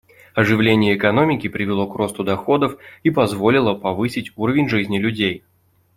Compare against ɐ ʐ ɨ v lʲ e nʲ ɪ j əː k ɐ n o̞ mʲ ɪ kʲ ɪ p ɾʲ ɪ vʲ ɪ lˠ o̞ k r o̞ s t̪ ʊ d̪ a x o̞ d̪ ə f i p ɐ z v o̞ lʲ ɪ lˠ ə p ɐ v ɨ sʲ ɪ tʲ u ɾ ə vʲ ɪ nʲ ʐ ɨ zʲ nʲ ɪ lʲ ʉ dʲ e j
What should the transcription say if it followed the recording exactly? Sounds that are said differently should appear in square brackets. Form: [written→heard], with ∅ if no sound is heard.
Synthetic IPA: ɐ ʐ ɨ v lʲ e nʲ ɪ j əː k ɐ n o̞ mʲ ɪ kʲ ɪ p ɾʲ ɪ vʲ ɪ lˠ o̞ k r o̞ s t̪ ʊ d̪ [a→ɐ] x o̞ d̪ ə f i p ɐ z v o̞ lʲ ɪ lˠ ə p ɐ v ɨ sʲ ɪ tʲ u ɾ ə vʲ ɪ nʲ ʐ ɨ zʲ nʲ ɪ lʲ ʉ dʲ e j